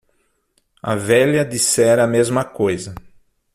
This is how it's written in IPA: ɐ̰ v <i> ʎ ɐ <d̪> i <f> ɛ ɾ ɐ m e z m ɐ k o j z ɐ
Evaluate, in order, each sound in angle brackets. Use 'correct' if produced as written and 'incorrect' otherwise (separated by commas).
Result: incorrect, correct, incorrect